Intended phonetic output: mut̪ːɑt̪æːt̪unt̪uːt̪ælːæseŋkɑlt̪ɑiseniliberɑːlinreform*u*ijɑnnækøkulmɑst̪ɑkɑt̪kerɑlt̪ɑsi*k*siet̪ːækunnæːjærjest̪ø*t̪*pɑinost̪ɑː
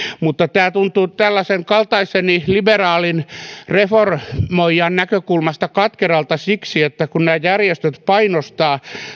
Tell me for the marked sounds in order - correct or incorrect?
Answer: incorrect, correct, correct

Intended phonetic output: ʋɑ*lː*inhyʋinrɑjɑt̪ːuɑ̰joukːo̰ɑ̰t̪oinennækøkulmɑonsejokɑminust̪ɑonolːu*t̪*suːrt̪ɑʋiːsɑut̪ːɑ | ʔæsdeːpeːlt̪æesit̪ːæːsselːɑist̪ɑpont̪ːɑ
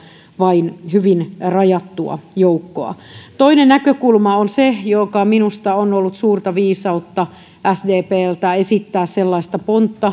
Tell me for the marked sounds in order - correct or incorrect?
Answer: incorrect, correct

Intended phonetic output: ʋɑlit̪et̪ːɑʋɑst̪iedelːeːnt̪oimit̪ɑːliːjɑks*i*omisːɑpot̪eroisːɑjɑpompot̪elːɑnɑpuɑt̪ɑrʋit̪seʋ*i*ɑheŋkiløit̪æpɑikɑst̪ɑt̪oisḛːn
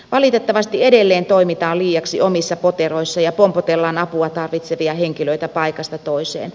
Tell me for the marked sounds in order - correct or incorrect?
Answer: correct, correct

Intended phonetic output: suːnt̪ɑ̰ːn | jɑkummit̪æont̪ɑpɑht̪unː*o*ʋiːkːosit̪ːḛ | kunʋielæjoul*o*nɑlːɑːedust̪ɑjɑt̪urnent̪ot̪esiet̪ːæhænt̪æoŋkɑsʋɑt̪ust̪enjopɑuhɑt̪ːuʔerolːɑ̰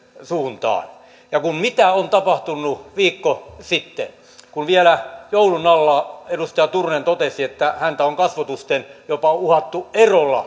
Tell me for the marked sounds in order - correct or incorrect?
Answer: incorrect, incorrect

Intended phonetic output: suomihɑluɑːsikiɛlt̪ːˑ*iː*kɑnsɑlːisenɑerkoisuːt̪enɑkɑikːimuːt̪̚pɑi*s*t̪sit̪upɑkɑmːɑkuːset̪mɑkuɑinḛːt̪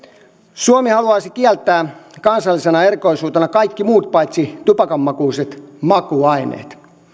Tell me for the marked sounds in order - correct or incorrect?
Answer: incorrect, incorrect

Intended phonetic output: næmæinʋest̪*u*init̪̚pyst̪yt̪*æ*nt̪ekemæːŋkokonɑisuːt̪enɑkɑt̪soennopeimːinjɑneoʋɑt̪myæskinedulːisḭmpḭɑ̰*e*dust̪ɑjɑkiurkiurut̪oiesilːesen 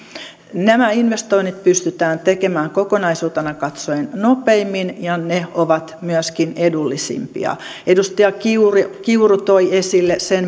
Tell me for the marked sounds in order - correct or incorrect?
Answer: incorrect, incorrect, correct

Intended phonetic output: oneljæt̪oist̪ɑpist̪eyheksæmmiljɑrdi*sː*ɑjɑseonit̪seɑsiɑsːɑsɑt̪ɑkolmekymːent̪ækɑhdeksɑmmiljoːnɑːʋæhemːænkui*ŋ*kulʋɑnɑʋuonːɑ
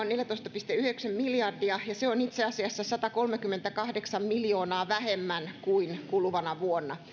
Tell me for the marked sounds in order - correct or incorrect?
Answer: incorrect, incorrect

